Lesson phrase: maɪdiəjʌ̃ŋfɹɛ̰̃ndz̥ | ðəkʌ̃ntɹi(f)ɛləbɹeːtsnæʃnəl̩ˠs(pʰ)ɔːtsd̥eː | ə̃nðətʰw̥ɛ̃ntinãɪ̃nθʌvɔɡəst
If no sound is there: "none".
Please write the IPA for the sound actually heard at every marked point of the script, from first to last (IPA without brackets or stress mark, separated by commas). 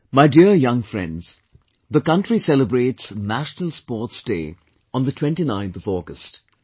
s, p